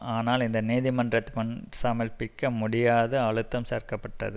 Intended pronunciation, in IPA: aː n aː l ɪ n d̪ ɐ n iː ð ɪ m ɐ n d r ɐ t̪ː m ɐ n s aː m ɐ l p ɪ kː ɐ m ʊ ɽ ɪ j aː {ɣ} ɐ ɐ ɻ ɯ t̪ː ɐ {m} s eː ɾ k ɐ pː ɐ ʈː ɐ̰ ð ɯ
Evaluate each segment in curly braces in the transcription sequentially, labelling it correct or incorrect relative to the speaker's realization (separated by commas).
incorrect, correct